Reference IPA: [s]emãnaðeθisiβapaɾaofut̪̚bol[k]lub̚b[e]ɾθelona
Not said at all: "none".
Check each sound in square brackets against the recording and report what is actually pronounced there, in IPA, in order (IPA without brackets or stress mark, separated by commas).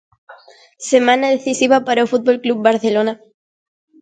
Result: s, k, a